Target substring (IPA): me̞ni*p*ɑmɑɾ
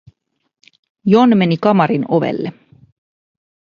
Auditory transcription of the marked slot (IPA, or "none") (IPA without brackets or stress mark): k